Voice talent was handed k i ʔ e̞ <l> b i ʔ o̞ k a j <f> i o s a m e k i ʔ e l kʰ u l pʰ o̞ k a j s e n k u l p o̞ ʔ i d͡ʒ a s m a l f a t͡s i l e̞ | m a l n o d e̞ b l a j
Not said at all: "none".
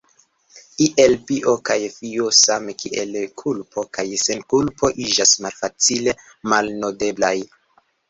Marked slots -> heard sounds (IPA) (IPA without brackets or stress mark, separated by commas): l, f